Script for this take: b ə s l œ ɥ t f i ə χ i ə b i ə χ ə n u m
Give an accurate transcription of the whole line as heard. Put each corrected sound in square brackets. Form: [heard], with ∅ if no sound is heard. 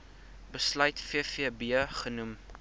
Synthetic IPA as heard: b ə s l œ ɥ t f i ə [f] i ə b i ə χ ə n u m

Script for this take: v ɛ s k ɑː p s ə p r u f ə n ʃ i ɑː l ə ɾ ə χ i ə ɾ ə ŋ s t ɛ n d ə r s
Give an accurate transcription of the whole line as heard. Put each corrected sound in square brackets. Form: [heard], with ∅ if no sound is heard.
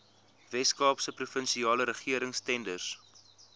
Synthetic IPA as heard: v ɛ s k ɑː p s ə p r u f ə n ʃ i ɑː l ə ɾ ə χ i ə ɾ ə ŋ s t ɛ n d ə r s

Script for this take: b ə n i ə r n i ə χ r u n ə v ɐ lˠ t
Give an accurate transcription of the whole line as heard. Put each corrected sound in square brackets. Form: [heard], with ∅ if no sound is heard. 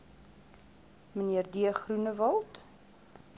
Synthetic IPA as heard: [m] ə n i ə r [d] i ə χ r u n ə v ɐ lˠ t

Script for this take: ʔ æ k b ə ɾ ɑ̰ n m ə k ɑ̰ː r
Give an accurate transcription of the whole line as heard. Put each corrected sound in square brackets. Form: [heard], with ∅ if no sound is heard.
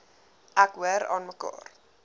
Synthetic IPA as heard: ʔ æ k [w] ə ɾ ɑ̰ n m ə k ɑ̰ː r

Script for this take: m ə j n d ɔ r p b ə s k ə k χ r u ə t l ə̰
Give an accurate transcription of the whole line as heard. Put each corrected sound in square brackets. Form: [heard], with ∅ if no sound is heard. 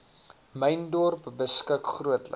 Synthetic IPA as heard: m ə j n d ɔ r p b ə s k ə k χ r u ə t l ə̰

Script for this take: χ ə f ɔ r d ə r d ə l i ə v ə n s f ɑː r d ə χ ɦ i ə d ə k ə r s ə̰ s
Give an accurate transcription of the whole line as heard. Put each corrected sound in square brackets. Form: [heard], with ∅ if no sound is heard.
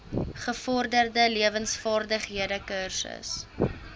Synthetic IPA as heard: χ ə f ɔ r d ə r d ə l i ə v ə n s f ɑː r d ə χ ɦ i ə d ə k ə r s ə̰ s

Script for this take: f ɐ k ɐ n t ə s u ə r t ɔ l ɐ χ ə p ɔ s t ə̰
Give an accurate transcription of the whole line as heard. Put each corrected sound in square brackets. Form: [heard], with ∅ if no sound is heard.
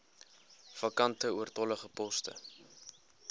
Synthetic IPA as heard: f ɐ k ɐ n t ə [∅] u ə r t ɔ l [ə] χ ə p ɔ s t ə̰

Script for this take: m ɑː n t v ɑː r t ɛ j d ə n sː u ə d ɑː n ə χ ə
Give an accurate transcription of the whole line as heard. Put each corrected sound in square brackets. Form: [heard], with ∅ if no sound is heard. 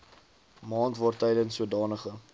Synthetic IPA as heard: m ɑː n t v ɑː r t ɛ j d ə n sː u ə d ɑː n ə χ ə

